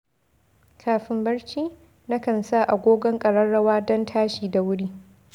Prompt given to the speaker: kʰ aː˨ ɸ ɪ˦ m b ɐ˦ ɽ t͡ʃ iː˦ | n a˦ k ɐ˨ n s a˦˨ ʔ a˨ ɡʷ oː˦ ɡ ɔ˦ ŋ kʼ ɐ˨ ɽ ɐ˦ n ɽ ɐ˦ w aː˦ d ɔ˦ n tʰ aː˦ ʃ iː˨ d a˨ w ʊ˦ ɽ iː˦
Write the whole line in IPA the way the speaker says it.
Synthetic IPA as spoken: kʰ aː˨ ɸ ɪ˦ m b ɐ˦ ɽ t͡ʃ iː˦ | n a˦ k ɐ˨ n s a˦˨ ʔ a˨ ɡʷ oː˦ ɡ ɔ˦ ŋ kʼ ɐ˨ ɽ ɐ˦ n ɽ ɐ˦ w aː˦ d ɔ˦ n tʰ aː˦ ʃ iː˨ d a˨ w ʊ˦ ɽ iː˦